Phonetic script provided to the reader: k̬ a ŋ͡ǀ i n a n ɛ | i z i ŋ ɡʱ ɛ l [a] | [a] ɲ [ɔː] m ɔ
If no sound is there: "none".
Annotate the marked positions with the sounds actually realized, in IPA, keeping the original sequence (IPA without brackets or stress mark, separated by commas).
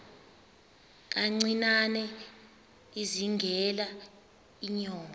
a, i, ɔː